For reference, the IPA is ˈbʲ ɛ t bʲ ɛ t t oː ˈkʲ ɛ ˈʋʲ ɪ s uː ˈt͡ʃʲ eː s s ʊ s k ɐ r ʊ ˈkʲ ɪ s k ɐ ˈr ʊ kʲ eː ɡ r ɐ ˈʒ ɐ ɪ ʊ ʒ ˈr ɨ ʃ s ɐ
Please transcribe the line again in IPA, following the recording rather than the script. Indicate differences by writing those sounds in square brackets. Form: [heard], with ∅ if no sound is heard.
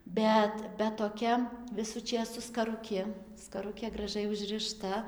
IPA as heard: ˈbʲ ɛ t bʲ ɛ t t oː ˈkʲ ɛ ˈʋʲ ɪ s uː ˈt͡ʃʲ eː s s ʊ s k ɐ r ʊ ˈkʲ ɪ s k ɐ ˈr ʊ kʲ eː ɡ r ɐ ˈʒ ɐ ɪ ʊ ʒ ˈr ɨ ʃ [t] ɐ